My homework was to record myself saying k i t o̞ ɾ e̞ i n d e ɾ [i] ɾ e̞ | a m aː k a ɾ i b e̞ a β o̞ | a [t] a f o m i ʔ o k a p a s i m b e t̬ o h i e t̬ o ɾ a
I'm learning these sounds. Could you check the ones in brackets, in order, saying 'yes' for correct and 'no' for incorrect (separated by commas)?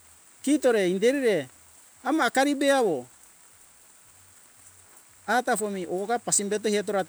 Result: yes, yes